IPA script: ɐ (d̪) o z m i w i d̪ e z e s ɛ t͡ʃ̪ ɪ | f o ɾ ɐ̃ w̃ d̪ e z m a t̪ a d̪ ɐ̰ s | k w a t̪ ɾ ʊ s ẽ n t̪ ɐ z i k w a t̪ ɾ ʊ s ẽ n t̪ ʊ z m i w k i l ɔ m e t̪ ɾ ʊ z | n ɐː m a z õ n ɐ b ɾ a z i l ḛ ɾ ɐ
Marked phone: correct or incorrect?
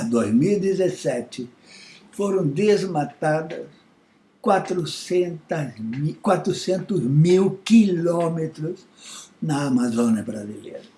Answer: correct